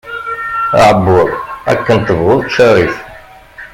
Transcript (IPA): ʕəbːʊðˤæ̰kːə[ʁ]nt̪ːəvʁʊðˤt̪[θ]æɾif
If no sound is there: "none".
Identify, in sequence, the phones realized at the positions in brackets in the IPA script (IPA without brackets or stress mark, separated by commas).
none, ʃ